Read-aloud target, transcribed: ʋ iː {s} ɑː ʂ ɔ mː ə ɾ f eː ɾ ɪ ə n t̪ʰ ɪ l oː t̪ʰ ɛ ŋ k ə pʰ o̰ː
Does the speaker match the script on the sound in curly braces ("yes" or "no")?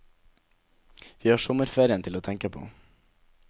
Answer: no